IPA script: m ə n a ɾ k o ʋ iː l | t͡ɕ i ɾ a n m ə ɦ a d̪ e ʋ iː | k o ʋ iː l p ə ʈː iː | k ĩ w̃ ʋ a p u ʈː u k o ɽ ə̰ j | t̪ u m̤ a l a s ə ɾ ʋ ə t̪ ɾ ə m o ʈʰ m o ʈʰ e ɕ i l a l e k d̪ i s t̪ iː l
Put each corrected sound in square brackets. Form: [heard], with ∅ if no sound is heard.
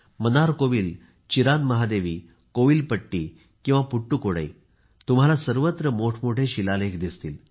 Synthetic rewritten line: m ə n a ɾ k o ʋ iː l | t͡ɕ i ɾ a n m ə ɦ a d̪ e ʋ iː | k o ʋ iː l p ə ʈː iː | k ĩ w̃ ʋ a p u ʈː u k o ɽ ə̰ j | t̪ u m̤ a l a s ə ɾ ʋ ə t̪ ɾ ə m o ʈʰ m o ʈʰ e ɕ i l a l e k d̪ i s t̪ iː l

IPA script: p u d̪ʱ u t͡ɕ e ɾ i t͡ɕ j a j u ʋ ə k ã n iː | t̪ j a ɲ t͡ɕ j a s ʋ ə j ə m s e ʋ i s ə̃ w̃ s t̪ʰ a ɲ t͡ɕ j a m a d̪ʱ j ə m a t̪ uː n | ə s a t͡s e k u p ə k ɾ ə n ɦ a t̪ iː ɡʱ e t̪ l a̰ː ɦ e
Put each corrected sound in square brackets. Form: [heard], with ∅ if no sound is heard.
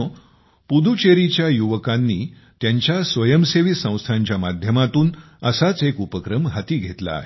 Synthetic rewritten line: p u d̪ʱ u t͡ɕ e ɾ i t͡ɕ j a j u ʋ ə k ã [nː] iː | t̪ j a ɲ t͡ɕ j a s ʋ ə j ə m s e ʋ i s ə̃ w̃ s t̪ʰ a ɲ t͡ɕ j a m a d̪ʱ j ə m a t̪ uː n | ə s a t͡s e k u p ə k ɾ ə [m] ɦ a t̪ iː ɡʱ e t̪ l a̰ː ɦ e

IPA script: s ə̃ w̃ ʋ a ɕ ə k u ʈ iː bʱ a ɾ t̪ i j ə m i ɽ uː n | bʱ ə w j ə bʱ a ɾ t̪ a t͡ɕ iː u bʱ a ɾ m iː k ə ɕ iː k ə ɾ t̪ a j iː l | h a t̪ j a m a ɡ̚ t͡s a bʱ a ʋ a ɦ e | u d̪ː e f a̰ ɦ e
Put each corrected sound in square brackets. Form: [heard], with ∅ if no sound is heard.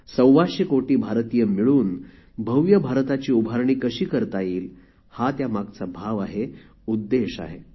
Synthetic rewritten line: s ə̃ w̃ ʋ a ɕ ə k [o] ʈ iː bʱ a ɾ t̪ i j ə m i [ɭ] uː n | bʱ ə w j ə bʱ a ɾ t̪ a t͡ɕ iː u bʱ a ɾ [ɳ] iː k ə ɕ iː k ə ɾ t̪ a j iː l | h a t̪ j a m a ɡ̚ t͡s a bʱ a ʋ a ɦ e | u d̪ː e [ɕ] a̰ ɦ e

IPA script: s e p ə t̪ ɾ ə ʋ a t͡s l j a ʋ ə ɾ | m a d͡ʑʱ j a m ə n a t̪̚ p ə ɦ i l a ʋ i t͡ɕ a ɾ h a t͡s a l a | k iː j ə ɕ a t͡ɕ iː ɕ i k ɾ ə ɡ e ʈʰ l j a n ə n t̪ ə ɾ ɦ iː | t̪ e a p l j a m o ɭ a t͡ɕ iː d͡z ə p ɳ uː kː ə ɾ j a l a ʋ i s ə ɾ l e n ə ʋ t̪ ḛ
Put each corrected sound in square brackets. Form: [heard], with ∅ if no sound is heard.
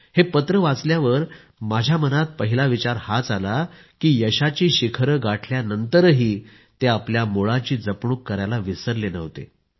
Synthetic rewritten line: [h] e p ə t̪ ɾ ə ʋ a t͡s l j a ʋ ə ɾ | m a d͡ʑʱ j a m ə n a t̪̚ p ə ɦ i l a ʋ i t͡ɕ a ɾ h a t͡s a l a | k iː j ə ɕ a t͡ɕ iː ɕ i [kʰ] ɾ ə ɡ [a] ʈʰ l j a n ə n t̪ ə ɾ ɦ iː | t̪ e a p l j a m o ɭ a t͡ɕ iː d͡z ə p ɳ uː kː ə ɾ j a l a ʋ i s ə ɾ l e n ə ʋ t̪ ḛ

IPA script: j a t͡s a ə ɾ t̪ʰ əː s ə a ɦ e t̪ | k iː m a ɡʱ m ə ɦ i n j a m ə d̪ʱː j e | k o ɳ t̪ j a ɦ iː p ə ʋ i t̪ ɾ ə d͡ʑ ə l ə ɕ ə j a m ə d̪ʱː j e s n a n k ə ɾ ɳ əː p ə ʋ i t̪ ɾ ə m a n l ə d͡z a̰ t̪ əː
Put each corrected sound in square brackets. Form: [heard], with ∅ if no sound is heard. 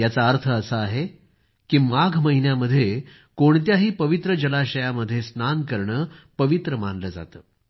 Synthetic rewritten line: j a t͡s a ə ɾ t̪ʰ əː s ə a ɦ e [∅] | k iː m a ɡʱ m ə ɦ i n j a m ə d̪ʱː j e | k o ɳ t̪ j a ɦ iː p ə ʋ i t̪ ɾ ə d͡ʑ ə l [a] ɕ ə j a m ə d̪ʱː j e s n a n k ə ɾ ɳ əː p ə ʋ i t̪ ɾ ə m a n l ə d͡z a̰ t̪ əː

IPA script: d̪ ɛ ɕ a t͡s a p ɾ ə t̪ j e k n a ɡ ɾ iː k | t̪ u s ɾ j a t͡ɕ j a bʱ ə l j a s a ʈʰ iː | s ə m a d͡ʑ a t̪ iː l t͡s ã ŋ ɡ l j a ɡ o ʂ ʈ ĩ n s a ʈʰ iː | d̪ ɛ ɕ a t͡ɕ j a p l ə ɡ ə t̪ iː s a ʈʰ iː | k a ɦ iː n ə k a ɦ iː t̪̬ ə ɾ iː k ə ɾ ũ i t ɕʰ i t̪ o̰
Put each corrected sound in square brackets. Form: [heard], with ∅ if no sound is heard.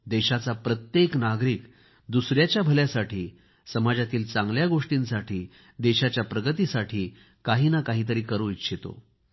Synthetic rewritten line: d̪ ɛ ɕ a t͡s a p ɾ ə t̪ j e k n a ɡ ɾ iː k | [d̪] u s ɾ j a t͡ɕ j a bʱ ə l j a s a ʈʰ iː | s ə m a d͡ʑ a t̪ iː l t͡s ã ŋ ɡ l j a ɡ o ʂ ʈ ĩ n s a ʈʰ iː | d̪ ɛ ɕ a t͡ɕ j a p [ɾ] ə ɡ ə t̪ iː s a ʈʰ iː | k a ɦ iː n [a] k a ɦ iː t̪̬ ə ɾ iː k ə ɾ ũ i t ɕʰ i t̪ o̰

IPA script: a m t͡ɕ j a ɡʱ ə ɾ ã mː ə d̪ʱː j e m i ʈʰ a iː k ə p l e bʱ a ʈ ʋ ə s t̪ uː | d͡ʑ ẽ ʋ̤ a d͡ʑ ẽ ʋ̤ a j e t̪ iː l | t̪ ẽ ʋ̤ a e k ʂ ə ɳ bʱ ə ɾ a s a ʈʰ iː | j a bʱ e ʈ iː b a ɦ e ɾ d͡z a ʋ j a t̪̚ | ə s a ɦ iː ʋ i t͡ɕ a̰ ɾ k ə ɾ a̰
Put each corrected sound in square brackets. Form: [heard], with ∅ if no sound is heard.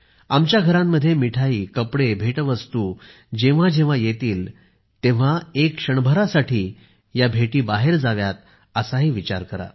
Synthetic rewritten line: a m t͡ɕ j a ɡʱ ə ɾ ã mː ə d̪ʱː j e m i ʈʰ a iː k ə p [ɽ] e bʱ [e] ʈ ʋ ə s t̪ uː | d͡ʑ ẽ ʋ̤ a d͡ʑ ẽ ʋ̤ a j e t̪ iː l | t̪ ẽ ʋ̤ a e k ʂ ə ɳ bʱ ə ɾ a s a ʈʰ iː | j a bʱ e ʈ iː b a ɦ e ɾ d͡z a ʋ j a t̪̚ | ə s a ɦ iː ʋ i t͡ɕ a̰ ɾ k ə ɾ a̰

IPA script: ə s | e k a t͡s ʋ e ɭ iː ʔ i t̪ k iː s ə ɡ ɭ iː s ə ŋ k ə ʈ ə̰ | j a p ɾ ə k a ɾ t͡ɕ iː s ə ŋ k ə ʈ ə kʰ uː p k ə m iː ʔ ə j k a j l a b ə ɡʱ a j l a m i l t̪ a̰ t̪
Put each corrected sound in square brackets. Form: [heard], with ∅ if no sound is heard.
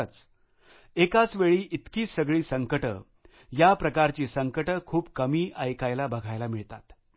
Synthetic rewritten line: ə [t͡s] | e k a t͡s ʋ e ɭ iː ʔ i t̪ k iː s ə ɡ ɭ iː s ə ŋ k ə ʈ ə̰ | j a p ɾ ə k a ɾ t͡ɕ iː s ə ŋ k ə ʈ ə kʰ uː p k ə m iː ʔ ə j k a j l a b ə ɡʱ a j l a m i [ɭ] t̪ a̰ t̪

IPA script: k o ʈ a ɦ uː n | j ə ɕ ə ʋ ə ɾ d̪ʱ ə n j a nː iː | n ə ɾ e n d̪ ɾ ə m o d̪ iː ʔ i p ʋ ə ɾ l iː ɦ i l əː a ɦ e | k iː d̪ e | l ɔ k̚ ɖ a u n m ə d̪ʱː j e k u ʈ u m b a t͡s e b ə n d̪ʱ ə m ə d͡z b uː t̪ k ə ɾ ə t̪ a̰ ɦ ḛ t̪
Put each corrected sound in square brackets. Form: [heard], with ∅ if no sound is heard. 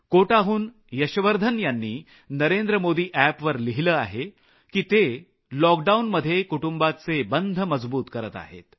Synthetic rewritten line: k o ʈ a ɦ uː n | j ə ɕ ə ʋ ə ɾ d̪ʱ ə n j a nː iː | n ə ɾ e n d̪ ɾ ə m o d̪ iː ʔ [æ] p ʋ ə ɾ l [i] ɦ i l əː a ɦ e | k iː [t̪] e | l ɔ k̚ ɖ a u n m ə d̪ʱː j e k u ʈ u m b a t͡s e b ə n d̪ʱ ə m ə d͡z b uː t̪ k ə ɾ ə t̪ a̰ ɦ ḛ t̪

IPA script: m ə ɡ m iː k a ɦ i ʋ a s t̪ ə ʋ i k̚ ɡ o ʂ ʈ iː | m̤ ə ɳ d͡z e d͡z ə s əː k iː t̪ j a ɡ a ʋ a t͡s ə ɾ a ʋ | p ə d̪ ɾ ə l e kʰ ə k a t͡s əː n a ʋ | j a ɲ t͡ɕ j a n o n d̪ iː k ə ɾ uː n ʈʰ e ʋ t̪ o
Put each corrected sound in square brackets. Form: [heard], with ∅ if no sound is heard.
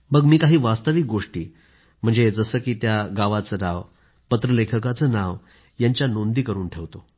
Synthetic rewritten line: m ə ɡ m iː k a ɦ [iː] ʋ a s t̪ ə ʋ i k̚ ɡ o ʂ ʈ iː | m̤ ə ɳ d͡z e d͡z ə s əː k iː t̪ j a ɡ a ʋ a t͡s ə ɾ a ʋ | p ə [t̪] ɾ ə l e kʰ ə k a t͡s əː n a ʋ | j a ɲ t͡ɕ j a n o n d̪ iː k ə ɾ uː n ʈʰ e ʋ t̪ o

